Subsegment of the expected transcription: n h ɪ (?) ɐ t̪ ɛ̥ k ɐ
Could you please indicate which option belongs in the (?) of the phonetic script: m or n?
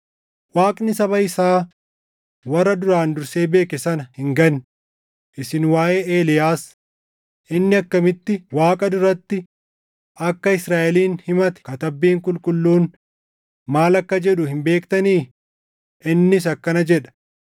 m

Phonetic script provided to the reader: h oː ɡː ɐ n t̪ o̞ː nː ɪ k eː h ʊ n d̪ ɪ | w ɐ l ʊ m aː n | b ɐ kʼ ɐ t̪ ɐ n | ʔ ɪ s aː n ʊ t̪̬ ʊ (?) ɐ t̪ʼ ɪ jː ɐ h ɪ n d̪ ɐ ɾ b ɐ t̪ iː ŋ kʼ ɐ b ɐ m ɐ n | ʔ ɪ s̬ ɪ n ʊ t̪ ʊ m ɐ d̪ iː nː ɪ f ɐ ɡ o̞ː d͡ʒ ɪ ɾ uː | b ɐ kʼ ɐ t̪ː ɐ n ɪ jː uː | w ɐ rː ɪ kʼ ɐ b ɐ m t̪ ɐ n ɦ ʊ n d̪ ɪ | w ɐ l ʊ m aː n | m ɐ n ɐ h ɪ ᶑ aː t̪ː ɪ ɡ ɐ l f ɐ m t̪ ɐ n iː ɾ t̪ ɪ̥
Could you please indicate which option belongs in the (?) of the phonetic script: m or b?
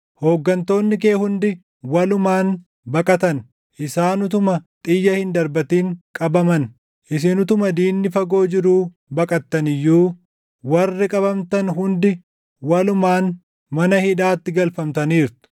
m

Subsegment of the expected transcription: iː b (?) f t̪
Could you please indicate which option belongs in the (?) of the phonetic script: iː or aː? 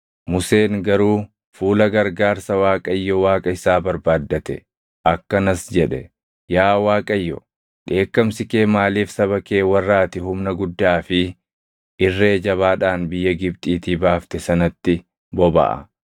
aː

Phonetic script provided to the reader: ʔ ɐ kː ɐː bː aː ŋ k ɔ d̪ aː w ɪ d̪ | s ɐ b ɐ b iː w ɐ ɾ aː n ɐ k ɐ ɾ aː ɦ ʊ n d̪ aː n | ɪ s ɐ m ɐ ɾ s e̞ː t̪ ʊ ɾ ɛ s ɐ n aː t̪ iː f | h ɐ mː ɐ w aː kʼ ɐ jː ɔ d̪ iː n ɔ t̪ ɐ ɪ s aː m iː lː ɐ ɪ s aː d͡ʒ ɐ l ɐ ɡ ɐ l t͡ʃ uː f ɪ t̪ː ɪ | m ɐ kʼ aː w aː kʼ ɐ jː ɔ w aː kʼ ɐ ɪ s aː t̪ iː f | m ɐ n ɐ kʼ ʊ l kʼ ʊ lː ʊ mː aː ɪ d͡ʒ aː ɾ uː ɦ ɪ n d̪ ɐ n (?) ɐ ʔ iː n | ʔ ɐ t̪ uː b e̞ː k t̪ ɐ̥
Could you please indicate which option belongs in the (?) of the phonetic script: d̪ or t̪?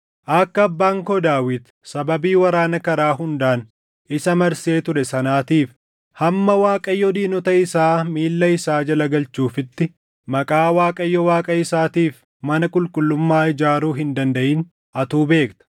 d̪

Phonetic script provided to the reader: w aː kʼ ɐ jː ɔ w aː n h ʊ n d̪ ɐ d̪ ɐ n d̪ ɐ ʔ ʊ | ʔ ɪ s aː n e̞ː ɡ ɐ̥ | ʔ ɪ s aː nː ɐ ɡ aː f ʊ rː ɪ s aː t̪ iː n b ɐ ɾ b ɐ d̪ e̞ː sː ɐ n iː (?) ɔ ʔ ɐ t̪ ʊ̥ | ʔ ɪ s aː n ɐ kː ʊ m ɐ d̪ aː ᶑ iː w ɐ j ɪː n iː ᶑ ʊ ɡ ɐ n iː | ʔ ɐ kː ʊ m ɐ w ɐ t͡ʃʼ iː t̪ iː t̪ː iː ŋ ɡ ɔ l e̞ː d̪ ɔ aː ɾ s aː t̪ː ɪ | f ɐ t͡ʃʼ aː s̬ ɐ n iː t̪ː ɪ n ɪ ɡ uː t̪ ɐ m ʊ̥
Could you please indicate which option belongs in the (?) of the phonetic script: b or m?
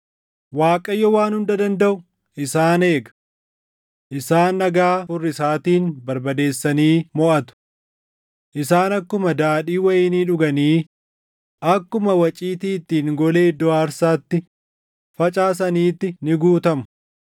m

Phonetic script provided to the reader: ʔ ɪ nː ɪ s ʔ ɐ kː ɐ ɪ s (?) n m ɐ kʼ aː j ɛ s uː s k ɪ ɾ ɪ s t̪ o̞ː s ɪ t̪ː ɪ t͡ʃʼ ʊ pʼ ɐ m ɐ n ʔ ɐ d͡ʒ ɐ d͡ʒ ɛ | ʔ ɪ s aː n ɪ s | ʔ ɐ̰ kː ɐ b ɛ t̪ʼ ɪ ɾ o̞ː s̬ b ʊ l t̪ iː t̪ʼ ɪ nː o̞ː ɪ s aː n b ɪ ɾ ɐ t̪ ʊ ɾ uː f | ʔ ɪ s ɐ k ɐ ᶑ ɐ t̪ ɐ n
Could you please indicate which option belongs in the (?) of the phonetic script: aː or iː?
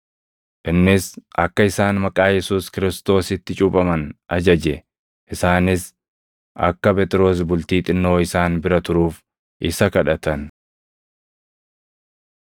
aː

